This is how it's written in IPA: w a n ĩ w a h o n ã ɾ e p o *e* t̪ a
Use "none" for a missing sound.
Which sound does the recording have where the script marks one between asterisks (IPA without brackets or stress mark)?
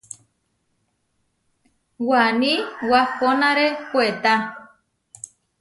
e